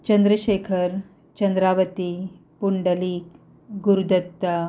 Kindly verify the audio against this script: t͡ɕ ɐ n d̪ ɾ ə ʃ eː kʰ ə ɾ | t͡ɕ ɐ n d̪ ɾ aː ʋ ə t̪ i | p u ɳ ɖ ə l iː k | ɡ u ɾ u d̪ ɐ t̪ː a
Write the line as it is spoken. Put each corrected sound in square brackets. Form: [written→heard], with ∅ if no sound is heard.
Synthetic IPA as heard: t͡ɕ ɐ n d̪ ɾ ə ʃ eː kʰ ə ɾ | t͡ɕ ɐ n d̪ ɾ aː ʋ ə t̪ i | p u ɳ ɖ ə l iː k | ɡ u ɾ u d̪ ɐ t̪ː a